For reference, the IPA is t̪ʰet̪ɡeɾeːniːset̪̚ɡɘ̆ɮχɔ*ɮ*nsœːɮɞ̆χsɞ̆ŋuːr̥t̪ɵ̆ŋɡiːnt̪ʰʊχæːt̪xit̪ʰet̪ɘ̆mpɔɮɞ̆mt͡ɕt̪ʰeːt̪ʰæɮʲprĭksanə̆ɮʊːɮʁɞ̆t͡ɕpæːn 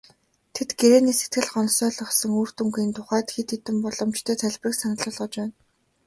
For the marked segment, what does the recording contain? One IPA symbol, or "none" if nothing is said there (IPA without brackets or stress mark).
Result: none